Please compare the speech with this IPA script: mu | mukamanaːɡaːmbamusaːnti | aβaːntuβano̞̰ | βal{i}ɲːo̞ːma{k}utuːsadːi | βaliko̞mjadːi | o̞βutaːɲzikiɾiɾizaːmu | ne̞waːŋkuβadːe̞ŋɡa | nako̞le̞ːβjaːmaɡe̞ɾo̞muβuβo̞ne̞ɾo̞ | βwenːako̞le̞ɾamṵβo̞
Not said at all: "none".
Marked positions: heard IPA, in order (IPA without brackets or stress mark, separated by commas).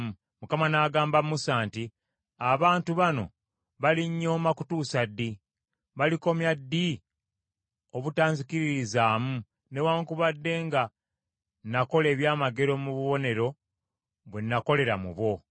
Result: i, k